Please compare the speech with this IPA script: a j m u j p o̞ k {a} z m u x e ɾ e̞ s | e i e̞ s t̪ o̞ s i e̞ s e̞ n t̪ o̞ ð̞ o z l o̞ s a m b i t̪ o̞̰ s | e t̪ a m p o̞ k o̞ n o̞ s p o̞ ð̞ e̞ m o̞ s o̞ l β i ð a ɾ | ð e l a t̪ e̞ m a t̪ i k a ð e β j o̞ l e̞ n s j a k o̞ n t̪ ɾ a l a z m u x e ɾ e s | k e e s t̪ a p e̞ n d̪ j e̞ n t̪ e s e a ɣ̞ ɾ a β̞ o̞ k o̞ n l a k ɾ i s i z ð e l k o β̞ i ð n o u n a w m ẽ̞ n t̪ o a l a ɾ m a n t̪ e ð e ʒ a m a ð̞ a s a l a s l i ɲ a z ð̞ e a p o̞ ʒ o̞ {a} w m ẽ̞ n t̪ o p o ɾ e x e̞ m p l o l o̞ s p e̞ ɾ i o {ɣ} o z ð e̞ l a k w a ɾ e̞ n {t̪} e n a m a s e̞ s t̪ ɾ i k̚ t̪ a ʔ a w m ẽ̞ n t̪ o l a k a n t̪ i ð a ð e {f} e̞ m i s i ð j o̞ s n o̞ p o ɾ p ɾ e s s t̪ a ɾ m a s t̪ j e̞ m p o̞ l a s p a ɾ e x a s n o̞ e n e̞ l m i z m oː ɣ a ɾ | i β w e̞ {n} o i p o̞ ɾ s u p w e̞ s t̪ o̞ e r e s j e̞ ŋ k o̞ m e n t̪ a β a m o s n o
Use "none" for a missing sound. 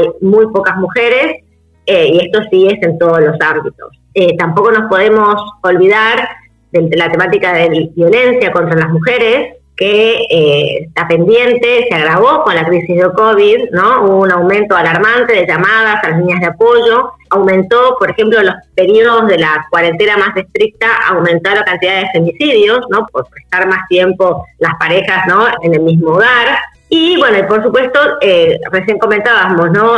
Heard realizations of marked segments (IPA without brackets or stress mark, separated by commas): a, a, ð, t̪, f, n